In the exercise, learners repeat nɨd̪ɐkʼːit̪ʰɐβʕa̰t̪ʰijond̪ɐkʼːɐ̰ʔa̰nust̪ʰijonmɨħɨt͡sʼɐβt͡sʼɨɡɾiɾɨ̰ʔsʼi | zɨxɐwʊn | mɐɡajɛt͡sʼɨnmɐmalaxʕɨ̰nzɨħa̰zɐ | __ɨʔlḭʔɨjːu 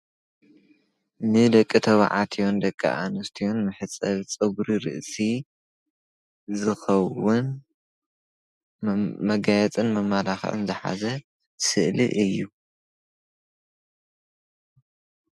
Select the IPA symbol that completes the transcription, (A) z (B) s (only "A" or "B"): B